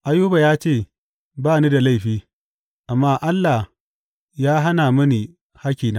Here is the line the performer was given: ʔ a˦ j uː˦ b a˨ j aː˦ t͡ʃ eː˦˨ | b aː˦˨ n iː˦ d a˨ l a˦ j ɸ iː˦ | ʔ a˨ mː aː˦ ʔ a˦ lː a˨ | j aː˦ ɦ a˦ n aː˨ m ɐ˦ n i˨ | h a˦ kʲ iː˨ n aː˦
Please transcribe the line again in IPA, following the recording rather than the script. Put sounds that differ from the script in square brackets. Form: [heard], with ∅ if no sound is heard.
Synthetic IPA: ʔ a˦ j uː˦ b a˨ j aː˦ t͡ʃ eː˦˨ | b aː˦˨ n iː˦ d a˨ l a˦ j ɸ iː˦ | ʔ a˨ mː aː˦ ʔ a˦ lː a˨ | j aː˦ ɦ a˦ n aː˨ m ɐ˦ n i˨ | h a˦ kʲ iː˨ n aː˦

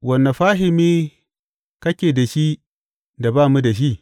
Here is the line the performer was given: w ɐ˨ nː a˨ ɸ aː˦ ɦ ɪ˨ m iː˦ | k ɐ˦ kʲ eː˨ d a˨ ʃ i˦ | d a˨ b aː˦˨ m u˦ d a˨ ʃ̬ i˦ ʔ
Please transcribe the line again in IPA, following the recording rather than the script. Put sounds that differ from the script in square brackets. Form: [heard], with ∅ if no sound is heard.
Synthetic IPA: w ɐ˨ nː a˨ ɸ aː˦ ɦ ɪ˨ m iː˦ | k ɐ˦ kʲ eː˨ d a˨ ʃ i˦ | d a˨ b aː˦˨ m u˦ d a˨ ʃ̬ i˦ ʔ

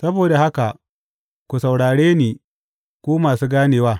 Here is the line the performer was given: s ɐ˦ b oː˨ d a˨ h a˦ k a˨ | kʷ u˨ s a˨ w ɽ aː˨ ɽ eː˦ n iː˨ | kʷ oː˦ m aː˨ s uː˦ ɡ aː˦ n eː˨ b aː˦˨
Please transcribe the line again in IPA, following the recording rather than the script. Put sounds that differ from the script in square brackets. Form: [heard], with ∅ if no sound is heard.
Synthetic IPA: s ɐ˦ b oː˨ d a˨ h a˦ k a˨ | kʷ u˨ s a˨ w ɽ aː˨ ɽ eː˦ n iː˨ | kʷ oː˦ m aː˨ s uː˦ ɡ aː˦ n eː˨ [w] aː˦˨

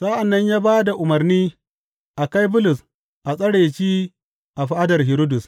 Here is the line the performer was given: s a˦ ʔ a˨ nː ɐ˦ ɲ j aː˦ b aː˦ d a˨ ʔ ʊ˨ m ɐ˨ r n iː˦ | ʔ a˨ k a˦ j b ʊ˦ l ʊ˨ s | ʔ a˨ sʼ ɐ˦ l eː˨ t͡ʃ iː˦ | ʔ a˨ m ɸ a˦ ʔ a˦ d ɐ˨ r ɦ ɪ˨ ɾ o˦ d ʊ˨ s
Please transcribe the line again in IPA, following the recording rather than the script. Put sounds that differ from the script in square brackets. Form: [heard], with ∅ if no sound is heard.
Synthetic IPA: s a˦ ʔ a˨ nː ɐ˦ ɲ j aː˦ b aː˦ d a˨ ʔ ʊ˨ m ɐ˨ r n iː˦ | ʔ a˨ k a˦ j b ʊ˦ l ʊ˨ s | ʔ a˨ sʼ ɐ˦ [ɽ] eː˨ t͡ʃ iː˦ | ʔ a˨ [∅] ɸ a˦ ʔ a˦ d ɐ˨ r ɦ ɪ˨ ɾ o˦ d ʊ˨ s

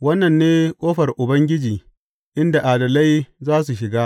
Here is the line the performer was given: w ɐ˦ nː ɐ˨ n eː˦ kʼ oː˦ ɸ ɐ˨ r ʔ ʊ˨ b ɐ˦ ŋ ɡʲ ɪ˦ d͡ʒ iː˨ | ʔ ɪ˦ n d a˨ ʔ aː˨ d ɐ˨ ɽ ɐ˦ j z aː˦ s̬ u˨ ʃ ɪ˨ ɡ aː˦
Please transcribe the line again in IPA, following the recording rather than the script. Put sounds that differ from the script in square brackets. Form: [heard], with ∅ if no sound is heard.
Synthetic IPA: w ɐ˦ nː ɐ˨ [nː] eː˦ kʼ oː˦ ɸ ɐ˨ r ʔ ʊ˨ b ɐ˦ ŋ ɡʲ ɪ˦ d͡ʒ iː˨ | ʔ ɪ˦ n d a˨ ʔ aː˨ d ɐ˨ [l] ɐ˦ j z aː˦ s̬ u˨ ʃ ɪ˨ ɡ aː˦

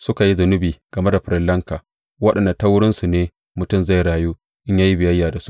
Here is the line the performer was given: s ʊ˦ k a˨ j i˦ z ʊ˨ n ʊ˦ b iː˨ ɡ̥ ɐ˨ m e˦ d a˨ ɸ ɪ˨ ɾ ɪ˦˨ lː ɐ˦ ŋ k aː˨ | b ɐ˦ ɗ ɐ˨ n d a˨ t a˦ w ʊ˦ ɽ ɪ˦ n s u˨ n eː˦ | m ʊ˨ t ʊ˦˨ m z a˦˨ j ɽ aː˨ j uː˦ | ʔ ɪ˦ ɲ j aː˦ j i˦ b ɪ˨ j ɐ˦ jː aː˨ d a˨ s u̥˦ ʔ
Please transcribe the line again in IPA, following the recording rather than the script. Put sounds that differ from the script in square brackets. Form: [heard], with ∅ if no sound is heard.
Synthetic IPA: s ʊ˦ k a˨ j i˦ z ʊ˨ n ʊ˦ b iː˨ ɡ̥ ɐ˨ m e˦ d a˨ ɸ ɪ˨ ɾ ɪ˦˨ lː ɐ˦ ŋ k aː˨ | [w] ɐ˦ ɗ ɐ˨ n d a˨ t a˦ w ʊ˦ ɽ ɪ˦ n s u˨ n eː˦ | m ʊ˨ t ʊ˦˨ m z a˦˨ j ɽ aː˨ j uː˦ | ʔ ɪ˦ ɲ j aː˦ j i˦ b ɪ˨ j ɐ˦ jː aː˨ d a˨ s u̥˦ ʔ

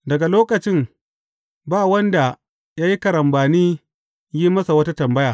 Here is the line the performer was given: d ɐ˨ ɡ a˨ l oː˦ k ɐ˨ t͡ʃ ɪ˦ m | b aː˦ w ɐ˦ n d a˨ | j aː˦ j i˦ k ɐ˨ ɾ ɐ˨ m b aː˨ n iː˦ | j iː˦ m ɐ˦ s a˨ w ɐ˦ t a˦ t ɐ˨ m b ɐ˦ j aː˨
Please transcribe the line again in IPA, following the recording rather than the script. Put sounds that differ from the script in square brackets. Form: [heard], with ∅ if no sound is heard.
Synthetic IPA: d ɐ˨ ɡ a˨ l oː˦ k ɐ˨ t͡ʃ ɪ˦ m | b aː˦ w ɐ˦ n d a˨ | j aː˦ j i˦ k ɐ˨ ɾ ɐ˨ m b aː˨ n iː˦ | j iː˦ m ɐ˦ s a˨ w ɐ˦ t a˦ t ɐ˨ m b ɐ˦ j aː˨

